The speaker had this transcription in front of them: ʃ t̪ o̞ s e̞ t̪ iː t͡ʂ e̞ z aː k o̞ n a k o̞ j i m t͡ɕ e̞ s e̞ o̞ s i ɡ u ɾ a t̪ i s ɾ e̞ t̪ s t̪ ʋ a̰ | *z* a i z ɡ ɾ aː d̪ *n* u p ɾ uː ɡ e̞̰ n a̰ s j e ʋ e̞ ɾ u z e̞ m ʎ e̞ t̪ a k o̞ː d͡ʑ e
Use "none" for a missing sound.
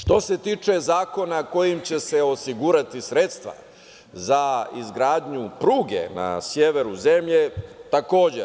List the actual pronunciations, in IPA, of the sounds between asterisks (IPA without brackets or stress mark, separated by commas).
z, ɲ